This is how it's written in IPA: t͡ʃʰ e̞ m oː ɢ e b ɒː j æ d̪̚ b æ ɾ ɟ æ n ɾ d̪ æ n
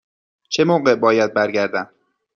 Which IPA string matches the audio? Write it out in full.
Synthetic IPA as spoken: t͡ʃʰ e̞ m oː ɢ e b ɒː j æ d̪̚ b æ ɾ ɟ æ ɾ d̪ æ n